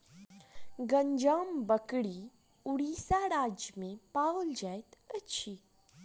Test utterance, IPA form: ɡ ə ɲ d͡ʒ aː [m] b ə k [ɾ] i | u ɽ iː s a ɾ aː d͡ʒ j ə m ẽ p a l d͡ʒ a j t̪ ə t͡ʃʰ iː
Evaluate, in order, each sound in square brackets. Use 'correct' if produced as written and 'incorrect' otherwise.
correct, incorrect: ɽ

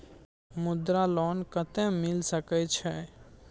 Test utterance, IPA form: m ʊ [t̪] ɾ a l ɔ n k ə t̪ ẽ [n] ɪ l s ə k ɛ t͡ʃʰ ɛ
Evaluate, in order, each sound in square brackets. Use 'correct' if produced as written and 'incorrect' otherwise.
incorrect: d̪, incorrect: m

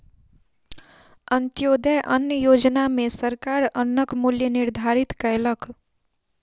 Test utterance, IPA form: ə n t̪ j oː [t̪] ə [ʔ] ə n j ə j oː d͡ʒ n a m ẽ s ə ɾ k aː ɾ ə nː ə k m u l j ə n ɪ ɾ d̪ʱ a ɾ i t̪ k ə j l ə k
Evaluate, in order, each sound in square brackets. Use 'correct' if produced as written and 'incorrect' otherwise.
incorrect: d̪, correct

